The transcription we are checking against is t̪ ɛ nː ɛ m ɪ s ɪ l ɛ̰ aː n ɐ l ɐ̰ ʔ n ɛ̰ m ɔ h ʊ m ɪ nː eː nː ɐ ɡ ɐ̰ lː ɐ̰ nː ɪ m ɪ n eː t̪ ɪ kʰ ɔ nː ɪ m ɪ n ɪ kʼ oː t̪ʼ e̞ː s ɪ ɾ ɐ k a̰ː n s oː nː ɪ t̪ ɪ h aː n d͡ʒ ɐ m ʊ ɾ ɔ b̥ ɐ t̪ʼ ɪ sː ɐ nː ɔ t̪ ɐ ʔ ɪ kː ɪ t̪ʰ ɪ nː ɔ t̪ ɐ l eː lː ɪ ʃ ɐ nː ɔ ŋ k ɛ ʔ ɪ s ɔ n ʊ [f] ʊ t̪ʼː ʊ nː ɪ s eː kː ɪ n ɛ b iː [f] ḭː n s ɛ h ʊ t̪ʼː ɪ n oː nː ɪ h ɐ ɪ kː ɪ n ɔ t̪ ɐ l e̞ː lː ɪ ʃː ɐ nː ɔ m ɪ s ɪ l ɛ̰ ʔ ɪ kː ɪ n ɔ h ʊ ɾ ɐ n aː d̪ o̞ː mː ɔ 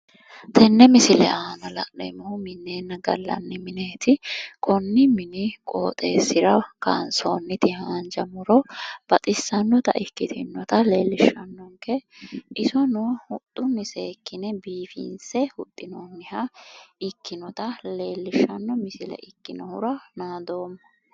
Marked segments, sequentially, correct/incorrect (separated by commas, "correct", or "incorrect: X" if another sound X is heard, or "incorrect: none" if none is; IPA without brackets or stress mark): incorrect: h, correct